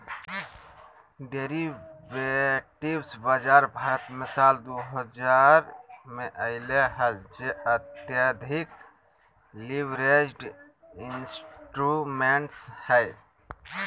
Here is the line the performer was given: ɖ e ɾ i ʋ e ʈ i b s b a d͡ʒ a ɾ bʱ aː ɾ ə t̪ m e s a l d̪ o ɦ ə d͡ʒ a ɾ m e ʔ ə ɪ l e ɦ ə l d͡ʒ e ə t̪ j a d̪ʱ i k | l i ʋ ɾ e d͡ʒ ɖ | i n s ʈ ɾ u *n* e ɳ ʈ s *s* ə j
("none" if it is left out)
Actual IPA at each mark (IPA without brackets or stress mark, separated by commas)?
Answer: m, h